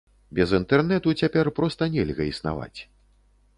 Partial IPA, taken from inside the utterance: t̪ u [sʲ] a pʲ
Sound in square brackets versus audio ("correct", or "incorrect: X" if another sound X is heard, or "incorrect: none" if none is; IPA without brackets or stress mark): incorrect: t͡sʲ